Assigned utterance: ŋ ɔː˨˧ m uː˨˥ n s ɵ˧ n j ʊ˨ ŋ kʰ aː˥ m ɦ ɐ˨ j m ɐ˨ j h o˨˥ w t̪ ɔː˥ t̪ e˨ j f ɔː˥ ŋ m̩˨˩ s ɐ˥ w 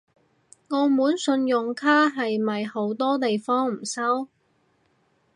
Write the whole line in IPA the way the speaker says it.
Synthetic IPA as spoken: ŋ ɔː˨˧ m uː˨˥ n s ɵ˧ n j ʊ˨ ŋ kʰ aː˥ ɦ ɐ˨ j m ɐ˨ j h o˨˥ w t̪ ɔː˥ t̪ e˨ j f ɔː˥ ŋ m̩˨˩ s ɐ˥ w